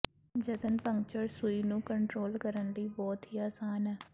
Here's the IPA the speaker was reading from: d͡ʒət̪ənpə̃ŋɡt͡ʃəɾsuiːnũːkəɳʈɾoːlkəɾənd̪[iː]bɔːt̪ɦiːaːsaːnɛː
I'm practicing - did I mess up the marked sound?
no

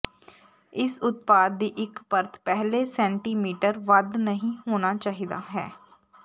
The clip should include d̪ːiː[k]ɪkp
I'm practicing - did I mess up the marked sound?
yes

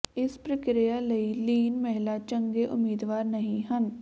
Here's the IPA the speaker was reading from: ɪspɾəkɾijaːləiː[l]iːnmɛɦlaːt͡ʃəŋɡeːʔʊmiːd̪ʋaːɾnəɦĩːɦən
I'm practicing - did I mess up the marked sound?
no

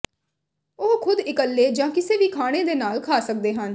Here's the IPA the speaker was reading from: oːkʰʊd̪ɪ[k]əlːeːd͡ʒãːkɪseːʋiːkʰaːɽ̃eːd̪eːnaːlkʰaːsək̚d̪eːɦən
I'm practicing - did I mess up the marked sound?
no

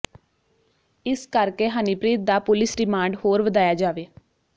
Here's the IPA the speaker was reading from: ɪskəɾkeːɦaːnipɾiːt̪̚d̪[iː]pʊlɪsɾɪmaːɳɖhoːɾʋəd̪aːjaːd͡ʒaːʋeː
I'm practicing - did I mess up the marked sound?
yes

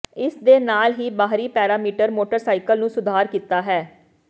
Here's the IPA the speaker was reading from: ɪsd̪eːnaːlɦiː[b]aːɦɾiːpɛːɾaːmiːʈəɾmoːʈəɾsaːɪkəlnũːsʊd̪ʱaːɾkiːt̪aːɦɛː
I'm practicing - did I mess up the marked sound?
no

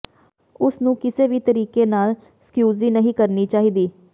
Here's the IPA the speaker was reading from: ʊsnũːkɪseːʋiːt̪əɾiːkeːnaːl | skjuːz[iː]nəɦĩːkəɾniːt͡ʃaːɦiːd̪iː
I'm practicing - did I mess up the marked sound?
no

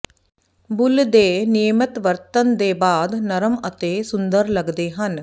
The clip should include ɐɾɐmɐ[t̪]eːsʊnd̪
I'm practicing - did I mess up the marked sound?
no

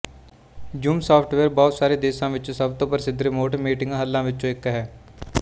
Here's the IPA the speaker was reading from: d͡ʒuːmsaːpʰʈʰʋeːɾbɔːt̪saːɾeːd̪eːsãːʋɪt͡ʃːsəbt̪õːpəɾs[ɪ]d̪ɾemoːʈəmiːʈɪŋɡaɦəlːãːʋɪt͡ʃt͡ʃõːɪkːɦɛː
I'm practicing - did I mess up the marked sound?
no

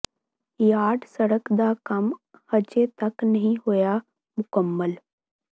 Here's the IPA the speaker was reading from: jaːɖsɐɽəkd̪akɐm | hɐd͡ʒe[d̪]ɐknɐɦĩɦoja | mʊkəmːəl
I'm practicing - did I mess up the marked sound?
yes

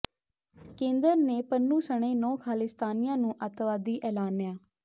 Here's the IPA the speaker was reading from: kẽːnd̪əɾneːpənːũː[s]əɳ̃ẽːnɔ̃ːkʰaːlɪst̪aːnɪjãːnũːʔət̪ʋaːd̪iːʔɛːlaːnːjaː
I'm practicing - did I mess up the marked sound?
no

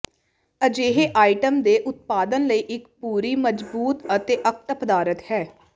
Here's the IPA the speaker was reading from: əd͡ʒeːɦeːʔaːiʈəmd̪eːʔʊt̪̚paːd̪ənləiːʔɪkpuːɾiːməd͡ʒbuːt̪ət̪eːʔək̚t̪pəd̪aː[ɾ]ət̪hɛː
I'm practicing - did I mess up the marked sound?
no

